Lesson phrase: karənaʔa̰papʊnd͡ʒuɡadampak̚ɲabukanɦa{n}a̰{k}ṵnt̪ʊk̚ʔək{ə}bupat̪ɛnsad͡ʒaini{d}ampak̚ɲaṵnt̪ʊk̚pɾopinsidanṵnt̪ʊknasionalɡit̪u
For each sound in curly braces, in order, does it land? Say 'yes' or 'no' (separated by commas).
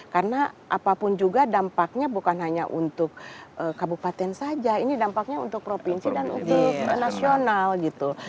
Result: no, no, no, yes